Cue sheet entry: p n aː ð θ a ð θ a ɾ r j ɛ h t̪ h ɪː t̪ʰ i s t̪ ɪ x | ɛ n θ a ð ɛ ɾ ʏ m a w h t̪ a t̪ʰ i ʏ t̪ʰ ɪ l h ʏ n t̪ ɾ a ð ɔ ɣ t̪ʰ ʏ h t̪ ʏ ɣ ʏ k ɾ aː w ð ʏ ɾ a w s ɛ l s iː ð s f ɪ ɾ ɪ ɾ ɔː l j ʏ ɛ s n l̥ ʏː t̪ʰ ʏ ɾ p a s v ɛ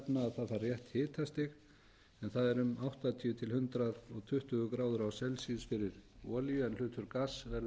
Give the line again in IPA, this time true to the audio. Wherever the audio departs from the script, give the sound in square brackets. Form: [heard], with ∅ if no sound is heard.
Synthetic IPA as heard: p n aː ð θ a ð θ a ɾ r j ɛ h t̪ h ɪː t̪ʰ [a] s t̪ ɪ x | ɛ n θ a ð ɛ ɾ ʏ m a w h t̪ a t̪ʰ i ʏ t̪ʰ ɪ l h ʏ n t̪ ɾ a ð ɔ ɣ t̪ʰ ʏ h t̪ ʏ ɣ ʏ k ɾ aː w ð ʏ ɾ a w s ɛ l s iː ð s f ɪ ɾ ɪ ɾ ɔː l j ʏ ɛ [∅] n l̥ ʏː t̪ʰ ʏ ɾ [k] a s v ɛ